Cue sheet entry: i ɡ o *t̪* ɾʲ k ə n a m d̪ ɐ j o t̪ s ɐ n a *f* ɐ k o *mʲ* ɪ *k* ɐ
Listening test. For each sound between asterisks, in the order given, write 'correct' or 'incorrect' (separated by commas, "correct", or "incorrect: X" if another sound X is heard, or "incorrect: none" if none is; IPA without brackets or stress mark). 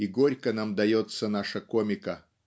incorrect: none, incorrect: ʂ, correct, correct